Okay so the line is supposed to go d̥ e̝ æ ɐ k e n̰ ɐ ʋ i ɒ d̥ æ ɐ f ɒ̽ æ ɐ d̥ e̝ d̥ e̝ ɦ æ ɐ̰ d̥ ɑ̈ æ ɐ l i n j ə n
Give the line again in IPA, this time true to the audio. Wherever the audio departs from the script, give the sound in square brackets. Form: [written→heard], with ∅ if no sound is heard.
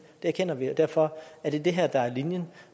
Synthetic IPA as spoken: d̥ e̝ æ ɐ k e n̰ ɐ ʋ i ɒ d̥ æ ɐ f ɒ̽ æ ɐ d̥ e̝ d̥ e̝ ɦ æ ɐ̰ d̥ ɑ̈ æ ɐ l i n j ə n